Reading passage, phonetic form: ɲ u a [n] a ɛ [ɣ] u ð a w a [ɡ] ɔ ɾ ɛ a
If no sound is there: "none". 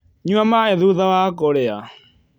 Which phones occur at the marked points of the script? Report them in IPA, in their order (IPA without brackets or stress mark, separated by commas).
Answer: m, ð, k